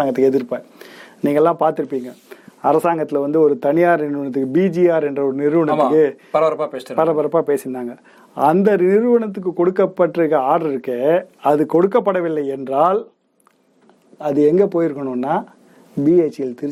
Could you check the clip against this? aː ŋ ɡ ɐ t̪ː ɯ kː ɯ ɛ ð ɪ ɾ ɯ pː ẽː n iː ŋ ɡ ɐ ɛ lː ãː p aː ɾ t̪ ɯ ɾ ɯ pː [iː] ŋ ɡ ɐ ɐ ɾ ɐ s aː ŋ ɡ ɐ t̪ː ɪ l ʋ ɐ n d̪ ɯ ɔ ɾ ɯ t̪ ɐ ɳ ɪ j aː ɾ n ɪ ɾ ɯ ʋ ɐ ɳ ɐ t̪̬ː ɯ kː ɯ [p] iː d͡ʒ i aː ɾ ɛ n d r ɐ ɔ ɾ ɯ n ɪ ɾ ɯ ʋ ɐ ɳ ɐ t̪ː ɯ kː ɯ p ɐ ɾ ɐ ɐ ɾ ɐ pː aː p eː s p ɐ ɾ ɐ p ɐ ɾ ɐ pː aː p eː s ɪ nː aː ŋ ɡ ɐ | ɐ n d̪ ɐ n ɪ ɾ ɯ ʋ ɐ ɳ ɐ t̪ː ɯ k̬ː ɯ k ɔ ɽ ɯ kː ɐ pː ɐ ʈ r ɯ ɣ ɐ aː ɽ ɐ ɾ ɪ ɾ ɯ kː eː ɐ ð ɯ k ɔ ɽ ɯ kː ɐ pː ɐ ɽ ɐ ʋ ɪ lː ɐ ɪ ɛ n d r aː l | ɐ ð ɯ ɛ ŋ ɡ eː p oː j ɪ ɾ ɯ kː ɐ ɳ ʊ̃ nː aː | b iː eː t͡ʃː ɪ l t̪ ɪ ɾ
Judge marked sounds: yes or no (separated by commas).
yes, no